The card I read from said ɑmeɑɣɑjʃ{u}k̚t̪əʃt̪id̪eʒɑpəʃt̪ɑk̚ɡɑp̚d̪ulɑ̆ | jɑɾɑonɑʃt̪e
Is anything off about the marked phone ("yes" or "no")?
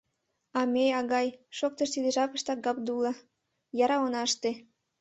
yes